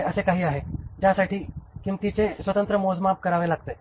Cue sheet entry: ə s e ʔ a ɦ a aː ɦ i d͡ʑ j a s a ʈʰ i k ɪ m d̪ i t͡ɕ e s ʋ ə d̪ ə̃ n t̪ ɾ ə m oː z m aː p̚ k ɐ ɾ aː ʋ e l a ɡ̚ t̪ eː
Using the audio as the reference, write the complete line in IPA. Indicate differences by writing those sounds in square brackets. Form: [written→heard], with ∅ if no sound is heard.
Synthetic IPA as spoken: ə s e [ʔ→k] a ɦ [a→i] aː ɦ [i→e] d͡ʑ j a s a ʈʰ i k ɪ m [d̪→t̪] i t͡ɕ e s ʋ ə [d̪→t̪] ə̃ n t̪ ɾ ə m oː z m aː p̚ k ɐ ɾ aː ʋ e l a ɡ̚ t̪ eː